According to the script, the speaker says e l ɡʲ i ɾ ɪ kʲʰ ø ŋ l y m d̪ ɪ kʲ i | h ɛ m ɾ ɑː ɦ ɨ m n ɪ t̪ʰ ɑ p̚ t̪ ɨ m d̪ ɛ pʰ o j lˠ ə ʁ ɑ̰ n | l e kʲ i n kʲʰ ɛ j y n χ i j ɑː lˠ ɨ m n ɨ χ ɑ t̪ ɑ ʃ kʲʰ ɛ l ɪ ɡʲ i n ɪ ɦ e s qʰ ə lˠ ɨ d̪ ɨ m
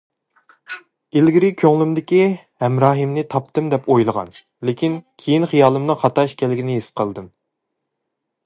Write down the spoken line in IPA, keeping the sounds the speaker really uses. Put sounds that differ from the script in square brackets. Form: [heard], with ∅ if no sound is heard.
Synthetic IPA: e l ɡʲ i ɾ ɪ kʲʰ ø ŋ l y m d̪ ɪ kʲ i | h ɛ m ɾ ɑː ɦ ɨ m n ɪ t̪ʰ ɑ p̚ t̪ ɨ m d̪ ɛ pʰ o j lˠ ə ʁ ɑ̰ n | l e kʲ i n kʲʰ [e] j [i] n χ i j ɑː lˠ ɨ m n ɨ χ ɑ t̪ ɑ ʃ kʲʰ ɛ l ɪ ɡʲ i n ɪ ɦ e s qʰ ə lˠ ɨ d̪ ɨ m